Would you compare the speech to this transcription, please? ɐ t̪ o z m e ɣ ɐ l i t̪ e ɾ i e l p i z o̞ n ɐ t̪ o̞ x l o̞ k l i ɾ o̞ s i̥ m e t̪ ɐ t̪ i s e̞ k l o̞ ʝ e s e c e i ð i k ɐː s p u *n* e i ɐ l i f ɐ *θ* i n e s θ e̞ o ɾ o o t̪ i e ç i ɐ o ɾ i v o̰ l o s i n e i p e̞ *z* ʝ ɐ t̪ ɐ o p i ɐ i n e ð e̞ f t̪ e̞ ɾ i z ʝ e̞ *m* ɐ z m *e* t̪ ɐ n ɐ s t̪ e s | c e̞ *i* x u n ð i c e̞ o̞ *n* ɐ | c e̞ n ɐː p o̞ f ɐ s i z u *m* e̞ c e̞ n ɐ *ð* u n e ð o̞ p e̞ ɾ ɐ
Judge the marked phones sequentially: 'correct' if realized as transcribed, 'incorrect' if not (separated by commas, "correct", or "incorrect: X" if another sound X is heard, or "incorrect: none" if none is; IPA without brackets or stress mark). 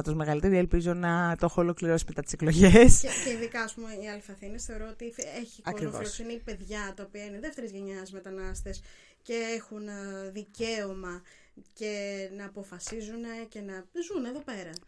incorrect: m, correct, incorrect: ð, incorrect: ɲ, correct, incorrect: e, incorrect: m, incorrect: n, incorrect: z